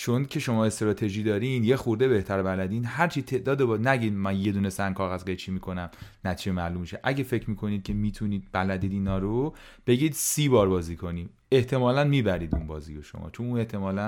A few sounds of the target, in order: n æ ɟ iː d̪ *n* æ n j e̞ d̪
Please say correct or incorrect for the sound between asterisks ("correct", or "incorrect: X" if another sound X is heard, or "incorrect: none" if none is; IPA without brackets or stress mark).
incorrect: m